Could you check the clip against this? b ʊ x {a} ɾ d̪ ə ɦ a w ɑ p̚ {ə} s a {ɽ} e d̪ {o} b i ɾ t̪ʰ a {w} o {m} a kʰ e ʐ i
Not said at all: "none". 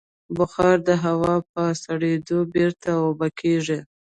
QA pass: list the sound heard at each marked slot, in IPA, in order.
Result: ɑ, ə, ɽ, o, w, b

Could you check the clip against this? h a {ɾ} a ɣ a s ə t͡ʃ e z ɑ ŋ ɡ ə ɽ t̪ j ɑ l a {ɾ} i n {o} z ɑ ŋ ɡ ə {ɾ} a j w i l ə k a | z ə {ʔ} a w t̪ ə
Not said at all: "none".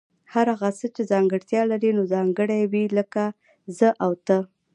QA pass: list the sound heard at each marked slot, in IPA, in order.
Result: ɾ, ɾ, o, ɽ, ʔ

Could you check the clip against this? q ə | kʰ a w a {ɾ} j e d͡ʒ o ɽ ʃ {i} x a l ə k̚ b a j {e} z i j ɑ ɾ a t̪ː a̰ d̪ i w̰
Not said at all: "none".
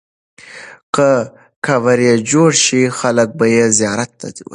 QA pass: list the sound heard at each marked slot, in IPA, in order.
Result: ɾ, i, e

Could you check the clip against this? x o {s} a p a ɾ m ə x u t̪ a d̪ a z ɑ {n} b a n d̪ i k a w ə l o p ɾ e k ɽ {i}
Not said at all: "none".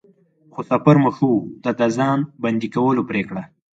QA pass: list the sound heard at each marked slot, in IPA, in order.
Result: s, n, a

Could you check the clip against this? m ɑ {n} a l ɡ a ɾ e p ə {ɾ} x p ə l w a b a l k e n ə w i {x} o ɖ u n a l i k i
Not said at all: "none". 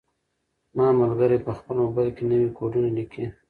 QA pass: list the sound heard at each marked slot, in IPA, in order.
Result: m, none, k

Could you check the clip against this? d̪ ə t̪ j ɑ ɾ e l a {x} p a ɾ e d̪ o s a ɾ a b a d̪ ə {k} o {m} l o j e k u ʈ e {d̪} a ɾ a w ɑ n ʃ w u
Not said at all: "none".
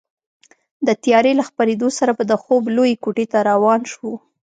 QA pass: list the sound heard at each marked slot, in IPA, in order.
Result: x, x, b, t̪

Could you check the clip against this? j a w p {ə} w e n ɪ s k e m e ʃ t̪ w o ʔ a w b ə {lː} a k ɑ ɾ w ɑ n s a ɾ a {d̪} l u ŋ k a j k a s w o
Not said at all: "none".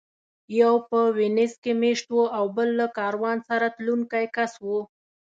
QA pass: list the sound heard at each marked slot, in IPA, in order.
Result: ə, lː, t̪

